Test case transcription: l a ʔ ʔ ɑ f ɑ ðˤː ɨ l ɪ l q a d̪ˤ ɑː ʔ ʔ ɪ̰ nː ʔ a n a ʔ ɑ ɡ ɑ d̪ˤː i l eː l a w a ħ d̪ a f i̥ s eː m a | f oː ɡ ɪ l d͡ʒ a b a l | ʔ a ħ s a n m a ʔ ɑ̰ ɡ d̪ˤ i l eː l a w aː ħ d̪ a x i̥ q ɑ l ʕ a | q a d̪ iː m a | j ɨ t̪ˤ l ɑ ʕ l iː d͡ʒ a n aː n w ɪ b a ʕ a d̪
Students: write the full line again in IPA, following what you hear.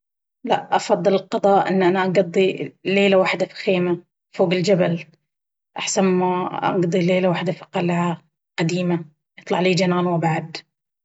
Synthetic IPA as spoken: l a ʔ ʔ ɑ f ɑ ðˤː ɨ l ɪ l q ɑ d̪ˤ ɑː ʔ ʔ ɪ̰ nː ʔ a n a ʔ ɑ ɡ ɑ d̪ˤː i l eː l a w a ħ d̪ a f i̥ x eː m a | f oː ɡ ɪ l d͡ʒ a b a l | ʔ a ħ s a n m a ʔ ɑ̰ ɡ d̪ˤ i l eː l a w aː ħ d̪ a f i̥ q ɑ l ʕ a | q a d̪ iː m a | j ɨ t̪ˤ l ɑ ʕ l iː d͡ʒ a n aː n w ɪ b a ʕ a d̪